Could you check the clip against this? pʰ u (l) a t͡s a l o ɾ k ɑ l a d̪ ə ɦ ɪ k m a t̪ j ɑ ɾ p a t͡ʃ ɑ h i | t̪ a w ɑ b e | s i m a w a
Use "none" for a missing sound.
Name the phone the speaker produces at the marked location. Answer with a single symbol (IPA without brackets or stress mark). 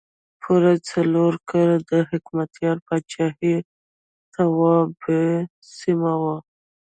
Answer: ɾ